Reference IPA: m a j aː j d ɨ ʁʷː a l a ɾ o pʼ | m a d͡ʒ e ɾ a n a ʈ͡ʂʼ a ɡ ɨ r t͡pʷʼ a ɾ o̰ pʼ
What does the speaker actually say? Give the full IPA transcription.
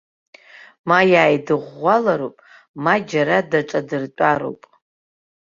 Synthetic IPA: m a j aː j d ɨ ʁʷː a l a ɾ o pʼ | m a d͡ʒ a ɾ a d a ʈ͡ʂʼ a d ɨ r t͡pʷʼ a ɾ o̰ pʼ